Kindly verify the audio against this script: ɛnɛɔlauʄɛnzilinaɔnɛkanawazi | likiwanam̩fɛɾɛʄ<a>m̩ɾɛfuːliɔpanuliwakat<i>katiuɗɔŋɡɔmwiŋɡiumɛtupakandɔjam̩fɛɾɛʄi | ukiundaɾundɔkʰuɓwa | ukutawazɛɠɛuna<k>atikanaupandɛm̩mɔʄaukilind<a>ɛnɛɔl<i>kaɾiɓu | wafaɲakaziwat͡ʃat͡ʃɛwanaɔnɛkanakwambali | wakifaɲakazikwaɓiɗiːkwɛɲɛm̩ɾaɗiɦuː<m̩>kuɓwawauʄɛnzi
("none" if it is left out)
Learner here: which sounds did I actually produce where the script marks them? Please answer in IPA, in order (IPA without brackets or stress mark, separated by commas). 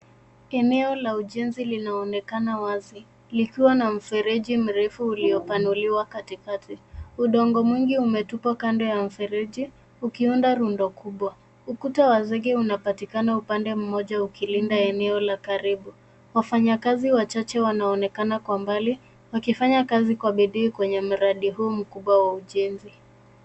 i, i, p, a, a, m̩